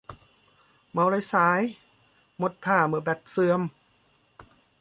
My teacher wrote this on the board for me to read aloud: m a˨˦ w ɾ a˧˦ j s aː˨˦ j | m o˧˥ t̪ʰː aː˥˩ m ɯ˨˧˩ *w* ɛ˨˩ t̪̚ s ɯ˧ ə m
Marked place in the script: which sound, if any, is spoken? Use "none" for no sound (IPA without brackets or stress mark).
b